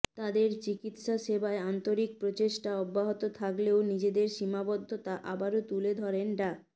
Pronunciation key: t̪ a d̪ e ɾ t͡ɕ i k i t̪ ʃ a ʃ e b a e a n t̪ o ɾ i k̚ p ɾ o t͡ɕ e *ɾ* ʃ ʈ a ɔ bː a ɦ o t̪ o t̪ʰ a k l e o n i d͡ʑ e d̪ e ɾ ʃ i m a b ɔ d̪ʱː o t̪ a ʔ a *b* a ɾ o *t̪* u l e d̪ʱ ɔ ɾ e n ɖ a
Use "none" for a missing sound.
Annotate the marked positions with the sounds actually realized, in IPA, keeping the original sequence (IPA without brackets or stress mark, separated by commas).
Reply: none, b, t̪